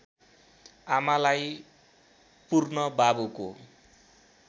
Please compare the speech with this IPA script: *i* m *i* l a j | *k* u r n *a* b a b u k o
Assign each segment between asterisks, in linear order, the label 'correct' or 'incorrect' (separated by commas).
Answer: incorrect, incorrect, incorrect, incorrect